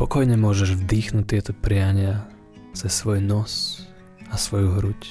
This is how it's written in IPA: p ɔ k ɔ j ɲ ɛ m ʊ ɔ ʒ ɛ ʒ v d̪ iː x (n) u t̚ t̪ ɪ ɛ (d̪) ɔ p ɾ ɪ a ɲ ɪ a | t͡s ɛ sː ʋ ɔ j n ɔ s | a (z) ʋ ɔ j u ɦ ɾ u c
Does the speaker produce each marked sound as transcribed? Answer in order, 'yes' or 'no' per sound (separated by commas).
yes, no, no